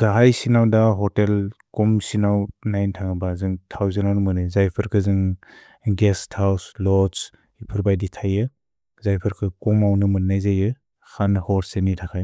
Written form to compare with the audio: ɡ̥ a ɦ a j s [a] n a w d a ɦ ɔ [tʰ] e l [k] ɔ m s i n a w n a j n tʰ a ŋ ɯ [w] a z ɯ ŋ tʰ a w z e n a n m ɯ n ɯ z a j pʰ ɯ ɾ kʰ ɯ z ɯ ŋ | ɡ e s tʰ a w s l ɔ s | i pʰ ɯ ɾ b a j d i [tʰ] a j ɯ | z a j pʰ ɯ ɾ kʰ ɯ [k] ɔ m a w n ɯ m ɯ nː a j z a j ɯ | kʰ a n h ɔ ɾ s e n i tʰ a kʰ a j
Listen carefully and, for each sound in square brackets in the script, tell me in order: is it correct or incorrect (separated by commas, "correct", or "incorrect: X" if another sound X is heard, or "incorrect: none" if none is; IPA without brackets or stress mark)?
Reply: incorrect: i, incorrect: t, correct, incorrect: b, correct, correct